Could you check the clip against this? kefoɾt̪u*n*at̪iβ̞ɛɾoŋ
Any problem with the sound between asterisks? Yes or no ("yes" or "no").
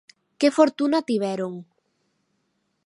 no